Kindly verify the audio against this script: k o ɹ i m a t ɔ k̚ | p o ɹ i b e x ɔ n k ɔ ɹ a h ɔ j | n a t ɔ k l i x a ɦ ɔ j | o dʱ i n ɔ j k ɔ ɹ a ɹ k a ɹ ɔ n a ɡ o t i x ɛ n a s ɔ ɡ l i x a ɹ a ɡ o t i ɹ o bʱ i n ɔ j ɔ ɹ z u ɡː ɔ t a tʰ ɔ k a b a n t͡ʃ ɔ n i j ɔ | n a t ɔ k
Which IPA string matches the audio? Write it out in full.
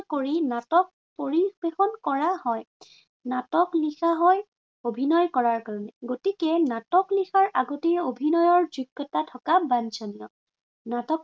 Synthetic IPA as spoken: k o ɹ i n a t ɔ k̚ | p o ɹ i b e x ɔ n k ɔ ɹ a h ɔ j | n a t ɔ k l i x a ɦ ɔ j | o bʱ i n ɔ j k ɔ ɹ a ɹ k a ɹ ɔ n ɛ ɡ o t i k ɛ n a t ɔ k l i x a ɹ a ɡ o t i ɹ o bʱ i n ɔ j ɔ ɹ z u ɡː ɔ t a tʰ ɔ k a b a n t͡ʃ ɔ n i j ɔ | n a t ɔ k